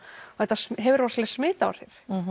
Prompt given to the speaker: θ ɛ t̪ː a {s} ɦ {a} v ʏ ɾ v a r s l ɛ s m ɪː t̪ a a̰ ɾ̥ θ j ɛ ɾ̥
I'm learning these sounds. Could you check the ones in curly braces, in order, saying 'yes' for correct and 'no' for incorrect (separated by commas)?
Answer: yes, no